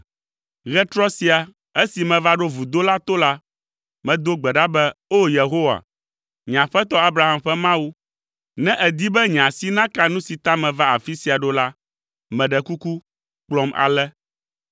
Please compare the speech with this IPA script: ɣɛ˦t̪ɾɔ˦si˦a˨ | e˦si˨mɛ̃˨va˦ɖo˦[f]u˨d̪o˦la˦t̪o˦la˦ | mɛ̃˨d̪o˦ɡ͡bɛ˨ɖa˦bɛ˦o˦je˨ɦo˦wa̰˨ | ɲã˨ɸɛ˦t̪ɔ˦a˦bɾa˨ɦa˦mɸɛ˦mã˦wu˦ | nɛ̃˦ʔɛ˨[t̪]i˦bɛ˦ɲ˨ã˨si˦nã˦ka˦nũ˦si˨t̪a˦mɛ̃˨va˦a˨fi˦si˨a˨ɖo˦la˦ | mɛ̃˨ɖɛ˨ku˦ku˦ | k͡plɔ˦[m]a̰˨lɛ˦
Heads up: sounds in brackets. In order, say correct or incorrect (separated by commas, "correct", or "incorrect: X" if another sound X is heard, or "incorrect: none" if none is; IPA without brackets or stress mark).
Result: incorrect: v, incorrect: d̪, correct